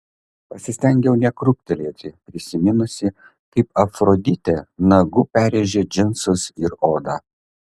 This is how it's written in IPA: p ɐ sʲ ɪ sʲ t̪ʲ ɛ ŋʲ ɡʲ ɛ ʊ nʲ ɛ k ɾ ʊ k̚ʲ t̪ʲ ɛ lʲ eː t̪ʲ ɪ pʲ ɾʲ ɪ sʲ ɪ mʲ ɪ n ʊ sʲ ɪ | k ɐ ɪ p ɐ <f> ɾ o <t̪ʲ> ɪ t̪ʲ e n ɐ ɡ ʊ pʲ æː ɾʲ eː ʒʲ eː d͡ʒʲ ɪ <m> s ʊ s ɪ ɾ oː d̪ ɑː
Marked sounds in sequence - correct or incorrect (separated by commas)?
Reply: correct, incorrect, incorrect